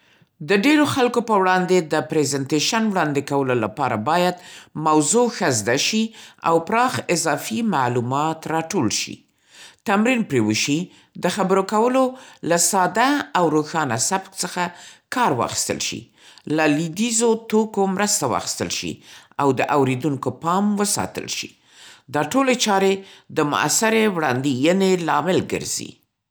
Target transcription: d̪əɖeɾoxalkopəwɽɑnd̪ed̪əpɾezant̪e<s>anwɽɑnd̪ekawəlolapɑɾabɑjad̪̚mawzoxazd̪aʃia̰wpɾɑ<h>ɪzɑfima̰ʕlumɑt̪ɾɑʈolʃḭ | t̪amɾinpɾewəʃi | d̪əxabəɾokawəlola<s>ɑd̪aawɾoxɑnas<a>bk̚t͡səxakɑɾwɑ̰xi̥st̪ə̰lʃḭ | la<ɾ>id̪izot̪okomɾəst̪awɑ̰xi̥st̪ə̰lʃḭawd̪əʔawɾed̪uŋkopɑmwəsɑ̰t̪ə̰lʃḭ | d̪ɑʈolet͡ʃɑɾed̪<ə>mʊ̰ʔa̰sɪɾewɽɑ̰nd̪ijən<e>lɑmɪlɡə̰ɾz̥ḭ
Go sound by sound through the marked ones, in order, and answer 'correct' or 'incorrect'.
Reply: incorrect: ʃ, incorrect: x, correct, correct, incorrect: l, correct, correct

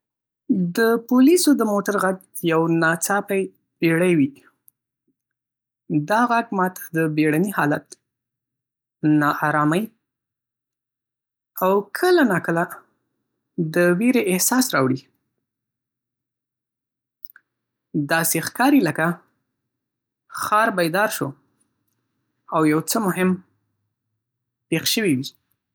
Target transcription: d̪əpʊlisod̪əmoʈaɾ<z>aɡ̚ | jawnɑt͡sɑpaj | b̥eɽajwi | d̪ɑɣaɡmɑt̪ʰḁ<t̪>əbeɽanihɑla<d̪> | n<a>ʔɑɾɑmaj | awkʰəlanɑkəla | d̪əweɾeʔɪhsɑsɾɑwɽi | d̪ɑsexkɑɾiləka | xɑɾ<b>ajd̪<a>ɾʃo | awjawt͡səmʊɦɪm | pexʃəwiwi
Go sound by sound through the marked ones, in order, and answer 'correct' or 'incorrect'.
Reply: incorrect: ɣ, incorrect: d̪, incorrect: t̪, incorrect: ɑ, correct, incorrect: ɑ

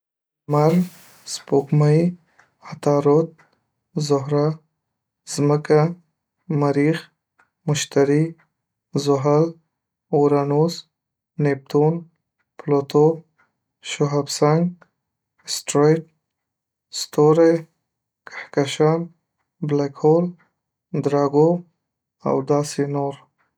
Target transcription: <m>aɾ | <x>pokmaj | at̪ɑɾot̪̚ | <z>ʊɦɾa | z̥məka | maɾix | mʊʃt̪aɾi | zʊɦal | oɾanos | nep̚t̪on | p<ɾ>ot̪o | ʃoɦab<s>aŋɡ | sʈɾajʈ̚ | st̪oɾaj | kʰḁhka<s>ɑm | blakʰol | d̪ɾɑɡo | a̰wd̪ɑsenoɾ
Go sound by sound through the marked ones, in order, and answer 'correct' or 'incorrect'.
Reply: correct, incorrect: s, correct, incorrect: l, correct, incorrect: ʃ

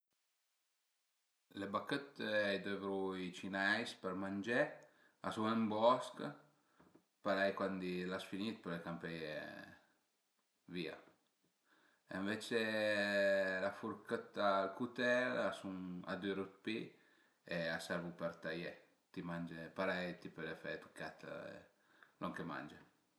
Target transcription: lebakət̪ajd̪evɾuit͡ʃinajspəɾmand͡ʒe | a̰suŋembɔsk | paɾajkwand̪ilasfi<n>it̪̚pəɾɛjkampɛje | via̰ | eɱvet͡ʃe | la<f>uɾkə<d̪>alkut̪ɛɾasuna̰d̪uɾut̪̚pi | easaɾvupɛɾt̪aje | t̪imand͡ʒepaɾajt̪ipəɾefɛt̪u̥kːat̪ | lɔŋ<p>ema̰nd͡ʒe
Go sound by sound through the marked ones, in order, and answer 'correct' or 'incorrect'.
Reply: correct, correct, incorrect: t̪, incorrect: k

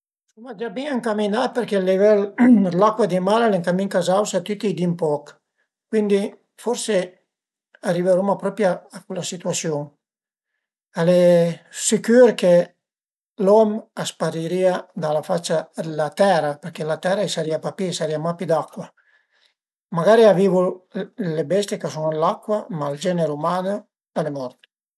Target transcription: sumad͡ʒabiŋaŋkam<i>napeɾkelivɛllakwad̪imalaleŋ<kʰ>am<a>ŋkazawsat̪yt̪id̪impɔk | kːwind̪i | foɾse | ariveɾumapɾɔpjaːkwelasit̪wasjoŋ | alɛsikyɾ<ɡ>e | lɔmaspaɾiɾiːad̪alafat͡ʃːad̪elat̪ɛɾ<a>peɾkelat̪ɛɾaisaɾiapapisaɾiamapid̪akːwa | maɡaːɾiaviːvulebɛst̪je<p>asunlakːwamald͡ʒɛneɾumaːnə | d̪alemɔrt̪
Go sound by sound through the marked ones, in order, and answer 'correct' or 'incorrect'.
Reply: correct, incorrect: k, incorrect: i, incorrect: k, correct, incorrect: k

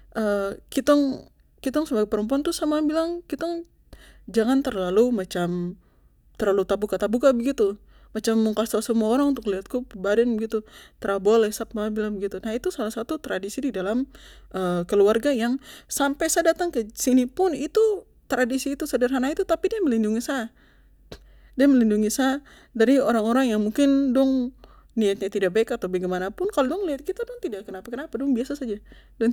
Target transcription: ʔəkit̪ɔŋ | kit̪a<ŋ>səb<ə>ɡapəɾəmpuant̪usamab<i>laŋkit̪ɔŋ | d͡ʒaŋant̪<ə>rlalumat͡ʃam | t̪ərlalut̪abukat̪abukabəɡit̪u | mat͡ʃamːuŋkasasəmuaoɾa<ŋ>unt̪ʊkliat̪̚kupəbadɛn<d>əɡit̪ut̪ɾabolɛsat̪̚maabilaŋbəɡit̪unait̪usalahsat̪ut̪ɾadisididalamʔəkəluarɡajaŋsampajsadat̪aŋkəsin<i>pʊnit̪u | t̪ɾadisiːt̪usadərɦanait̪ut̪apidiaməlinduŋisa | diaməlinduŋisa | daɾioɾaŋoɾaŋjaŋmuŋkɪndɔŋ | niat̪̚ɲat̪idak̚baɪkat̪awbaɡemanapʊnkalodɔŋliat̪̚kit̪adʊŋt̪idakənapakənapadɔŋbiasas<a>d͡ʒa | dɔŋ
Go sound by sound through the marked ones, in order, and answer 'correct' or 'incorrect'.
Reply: correct, incorrect: a, correct, correct, correct, incorrect: b, correct, correct

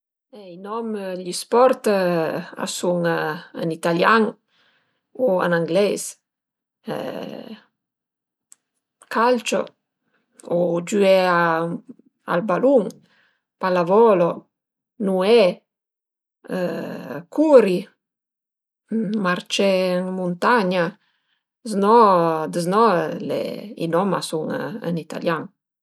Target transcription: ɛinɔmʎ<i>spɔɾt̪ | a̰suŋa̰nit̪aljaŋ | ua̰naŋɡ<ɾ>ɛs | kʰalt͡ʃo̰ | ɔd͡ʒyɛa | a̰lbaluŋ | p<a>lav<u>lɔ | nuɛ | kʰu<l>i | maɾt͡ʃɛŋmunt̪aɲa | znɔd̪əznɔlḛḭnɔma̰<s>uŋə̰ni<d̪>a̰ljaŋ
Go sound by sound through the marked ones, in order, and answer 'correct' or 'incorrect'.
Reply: correct, incorrect: l, correct, incorrect: ɔ, incorrect: ɾ, correct, incorrect: t̪

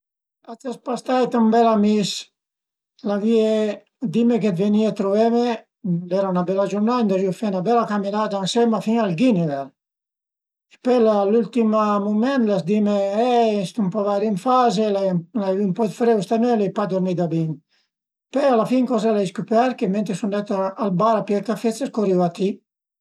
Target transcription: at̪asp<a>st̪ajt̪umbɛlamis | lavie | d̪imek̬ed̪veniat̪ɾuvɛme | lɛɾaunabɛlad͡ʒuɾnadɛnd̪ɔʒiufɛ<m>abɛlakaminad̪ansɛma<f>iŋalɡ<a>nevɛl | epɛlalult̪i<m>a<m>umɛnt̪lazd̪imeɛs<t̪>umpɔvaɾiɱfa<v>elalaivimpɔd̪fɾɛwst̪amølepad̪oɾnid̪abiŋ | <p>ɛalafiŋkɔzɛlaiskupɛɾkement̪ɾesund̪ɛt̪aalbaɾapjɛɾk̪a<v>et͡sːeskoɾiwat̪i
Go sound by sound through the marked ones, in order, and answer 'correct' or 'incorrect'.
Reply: correct, incorrect: n, correct, incorrect: i, correct, correct, correct, incorrect: z, correct, incorrect: f

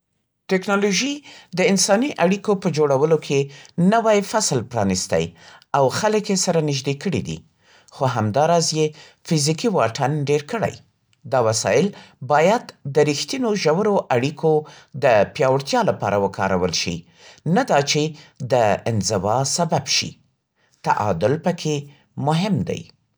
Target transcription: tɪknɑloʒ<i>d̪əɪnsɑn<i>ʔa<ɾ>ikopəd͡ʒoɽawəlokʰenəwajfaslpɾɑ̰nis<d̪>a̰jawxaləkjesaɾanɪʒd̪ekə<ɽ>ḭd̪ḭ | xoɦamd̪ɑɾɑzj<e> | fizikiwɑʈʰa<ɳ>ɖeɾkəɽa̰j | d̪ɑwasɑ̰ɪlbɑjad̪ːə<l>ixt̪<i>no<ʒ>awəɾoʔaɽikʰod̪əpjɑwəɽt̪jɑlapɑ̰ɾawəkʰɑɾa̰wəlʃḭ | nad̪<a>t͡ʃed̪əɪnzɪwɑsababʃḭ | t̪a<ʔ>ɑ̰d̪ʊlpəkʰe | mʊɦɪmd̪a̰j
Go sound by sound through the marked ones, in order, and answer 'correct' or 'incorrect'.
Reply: correct, correct, incorrect: ɽ, incorrect: t̪, correct, correct, incorrect: n, incorrect: ɾ, correct, correct, incorrect: ɑ, correct

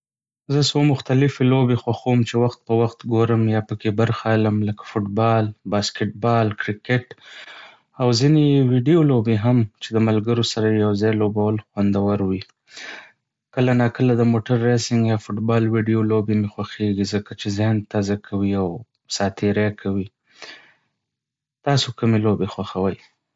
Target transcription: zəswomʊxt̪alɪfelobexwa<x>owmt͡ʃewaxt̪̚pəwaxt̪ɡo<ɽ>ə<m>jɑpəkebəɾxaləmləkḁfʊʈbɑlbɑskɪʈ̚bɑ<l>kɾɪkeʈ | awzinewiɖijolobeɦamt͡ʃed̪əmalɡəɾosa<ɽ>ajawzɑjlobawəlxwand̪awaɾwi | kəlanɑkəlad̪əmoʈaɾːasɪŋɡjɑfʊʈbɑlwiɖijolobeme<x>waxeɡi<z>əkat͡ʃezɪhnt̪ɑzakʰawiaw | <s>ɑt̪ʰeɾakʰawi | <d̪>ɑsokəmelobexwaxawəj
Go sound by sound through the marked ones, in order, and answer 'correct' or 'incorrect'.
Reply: correct, incorrect: ɾ, correct, correct, incorrect: ɾ, correct, correct, correct, incorrect: t̪

